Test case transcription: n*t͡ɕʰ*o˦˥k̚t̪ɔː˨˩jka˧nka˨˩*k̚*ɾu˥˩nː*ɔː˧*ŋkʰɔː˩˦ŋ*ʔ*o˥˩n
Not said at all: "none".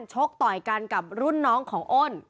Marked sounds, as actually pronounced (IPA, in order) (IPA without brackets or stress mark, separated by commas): t͡ɕʰ, p̚, ɔː˦˥, ʔ